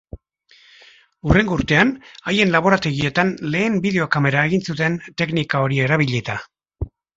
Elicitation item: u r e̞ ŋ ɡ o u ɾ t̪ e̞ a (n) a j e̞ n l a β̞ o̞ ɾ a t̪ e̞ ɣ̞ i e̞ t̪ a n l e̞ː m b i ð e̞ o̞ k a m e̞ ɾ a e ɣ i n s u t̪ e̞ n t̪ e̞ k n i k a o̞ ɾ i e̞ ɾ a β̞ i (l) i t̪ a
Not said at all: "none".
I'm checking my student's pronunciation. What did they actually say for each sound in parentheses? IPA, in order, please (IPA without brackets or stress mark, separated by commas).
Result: n, ʎ